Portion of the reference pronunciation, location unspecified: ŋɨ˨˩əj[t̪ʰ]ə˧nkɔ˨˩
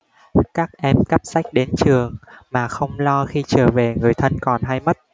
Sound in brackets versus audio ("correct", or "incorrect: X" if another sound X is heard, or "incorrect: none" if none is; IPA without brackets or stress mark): correct